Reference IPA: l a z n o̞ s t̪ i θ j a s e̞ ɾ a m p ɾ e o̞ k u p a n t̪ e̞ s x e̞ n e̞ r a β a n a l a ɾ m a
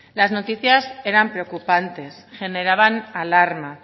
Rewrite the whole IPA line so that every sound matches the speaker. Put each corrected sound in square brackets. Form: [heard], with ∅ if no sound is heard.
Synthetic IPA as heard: l a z n o̞ [∅] t̪ i θ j a s e̞ ɾ a m p ɾ e o̞ k u p a n t̪ e̞ s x e̞ n e̞ [ɾ] a β a n a l a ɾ m a